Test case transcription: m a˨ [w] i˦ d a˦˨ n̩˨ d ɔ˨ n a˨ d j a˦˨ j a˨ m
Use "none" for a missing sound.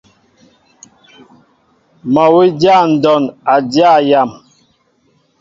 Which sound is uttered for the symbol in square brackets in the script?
w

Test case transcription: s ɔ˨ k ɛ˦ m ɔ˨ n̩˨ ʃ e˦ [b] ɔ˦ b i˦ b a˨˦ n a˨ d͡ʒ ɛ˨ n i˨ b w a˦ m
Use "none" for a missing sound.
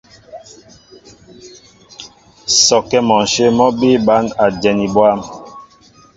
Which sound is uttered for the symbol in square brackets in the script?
m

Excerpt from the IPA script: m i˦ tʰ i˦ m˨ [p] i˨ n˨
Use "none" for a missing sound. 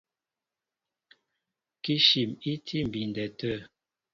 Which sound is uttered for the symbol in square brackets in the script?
b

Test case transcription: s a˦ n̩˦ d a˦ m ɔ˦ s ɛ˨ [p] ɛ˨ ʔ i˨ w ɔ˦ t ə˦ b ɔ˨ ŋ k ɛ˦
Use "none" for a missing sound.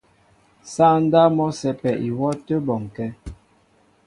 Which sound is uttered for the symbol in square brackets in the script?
p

